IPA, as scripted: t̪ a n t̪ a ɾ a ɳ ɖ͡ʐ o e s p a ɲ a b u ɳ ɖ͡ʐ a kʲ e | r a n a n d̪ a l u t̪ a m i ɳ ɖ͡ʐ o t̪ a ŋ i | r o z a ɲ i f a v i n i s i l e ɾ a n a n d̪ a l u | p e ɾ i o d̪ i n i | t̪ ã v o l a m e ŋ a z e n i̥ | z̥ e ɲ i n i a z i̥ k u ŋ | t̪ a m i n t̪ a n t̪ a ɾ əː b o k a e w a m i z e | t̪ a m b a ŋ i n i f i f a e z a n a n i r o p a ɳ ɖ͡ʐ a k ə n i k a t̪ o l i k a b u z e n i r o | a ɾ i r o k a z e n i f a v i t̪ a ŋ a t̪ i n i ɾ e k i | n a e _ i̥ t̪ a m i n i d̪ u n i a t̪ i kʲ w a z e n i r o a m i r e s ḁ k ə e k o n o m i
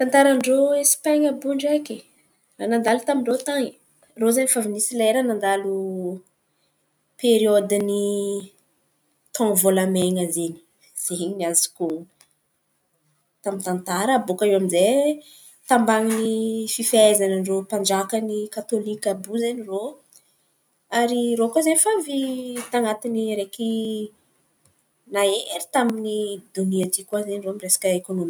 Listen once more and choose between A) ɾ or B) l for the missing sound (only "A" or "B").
A